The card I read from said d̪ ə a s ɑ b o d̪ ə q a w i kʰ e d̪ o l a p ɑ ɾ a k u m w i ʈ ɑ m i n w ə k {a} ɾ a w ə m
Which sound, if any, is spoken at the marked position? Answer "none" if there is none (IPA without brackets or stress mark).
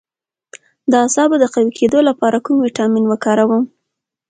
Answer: ɑ